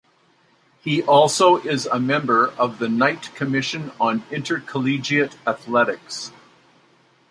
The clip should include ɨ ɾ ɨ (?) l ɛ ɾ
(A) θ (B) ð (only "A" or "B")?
A